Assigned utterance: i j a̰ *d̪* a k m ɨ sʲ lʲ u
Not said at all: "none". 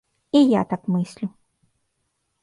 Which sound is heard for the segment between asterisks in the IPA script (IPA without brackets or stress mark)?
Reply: t̪